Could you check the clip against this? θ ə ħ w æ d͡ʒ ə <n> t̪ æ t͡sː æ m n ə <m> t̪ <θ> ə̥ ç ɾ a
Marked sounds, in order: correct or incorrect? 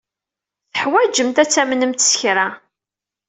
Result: incorrect: m, correct, incorrect: s

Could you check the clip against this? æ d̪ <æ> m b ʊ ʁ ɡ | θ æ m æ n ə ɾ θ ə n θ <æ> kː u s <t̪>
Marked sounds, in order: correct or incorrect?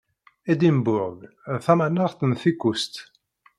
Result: incorrect: i, incorrect: i, correct

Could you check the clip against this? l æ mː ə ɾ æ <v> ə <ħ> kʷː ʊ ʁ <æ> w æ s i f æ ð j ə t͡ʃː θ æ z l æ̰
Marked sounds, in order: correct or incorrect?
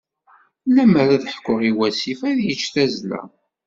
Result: incorrect: ð, correct, incorrect: i

